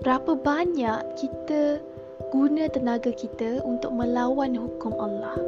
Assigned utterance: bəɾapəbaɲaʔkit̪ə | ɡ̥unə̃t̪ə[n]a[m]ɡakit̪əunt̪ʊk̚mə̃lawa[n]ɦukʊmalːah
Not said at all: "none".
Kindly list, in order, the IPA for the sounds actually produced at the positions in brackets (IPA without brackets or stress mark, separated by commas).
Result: n, none, n